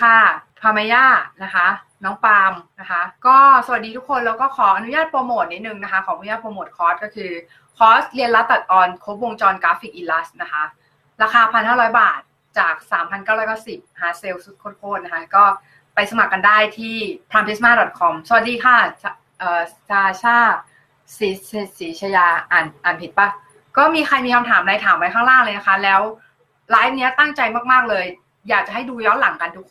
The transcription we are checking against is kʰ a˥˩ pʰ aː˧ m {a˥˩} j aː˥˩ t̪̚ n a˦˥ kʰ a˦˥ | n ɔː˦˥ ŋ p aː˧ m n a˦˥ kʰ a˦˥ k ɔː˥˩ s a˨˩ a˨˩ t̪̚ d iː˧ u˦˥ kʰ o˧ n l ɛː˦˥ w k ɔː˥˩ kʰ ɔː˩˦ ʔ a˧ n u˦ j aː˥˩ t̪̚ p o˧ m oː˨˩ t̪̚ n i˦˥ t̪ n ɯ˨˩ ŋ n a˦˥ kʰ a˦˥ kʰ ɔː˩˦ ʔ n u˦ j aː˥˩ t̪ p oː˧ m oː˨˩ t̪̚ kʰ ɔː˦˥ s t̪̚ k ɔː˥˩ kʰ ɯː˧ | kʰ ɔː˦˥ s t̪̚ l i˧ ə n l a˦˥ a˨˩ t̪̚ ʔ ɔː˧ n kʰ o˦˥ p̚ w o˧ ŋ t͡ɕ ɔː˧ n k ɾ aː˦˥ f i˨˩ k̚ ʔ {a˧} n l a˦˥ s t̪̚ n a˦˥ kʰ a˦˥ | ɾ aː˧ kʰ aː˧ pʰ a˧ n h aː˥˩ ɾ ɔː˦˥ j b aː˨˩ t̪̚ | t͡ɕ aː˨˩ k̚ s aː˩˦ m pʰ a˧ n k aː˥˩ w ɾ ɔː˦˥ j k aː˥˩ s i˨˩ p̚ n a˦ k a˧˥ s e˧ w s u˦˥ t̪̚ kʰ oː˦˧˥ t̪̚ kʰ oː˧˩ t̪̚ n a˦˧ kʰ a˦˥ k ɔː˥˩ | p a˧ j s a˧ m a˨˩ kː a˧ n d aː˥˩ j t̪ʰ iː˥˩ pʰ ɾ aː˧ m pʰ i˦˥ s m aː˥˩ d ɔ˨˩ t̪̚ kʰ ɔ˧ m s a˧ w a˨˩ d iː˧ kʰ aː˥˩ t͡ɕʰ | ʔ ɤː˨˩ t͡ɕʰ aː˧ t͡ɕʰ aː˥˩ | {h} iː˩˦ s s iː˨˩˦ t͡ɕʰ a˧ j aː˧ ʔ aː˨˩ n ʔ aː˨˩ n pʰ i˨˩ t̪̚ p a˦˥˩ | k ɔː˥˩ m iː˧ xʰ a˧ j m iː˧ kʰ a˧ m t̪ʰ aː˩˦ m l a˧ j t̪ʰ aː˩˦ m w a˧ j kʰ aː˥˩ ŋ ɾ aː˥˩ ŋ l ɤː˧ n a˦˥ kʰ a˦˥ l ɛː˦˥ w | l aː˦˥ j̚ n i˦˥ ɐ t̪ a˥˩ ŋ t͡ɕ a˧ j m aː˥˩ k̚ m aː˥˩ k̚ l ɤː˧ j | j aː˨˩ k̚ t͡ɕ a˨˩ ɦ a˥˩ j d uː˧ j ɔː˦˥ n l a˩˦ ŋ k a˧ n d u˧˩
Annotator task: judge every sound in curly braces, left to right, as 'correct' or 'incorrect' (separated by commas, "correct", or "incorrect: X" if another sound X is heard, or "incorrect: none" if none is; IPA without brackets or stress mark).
incorrect: a˧˦, incorrect: i˧, incorrect: s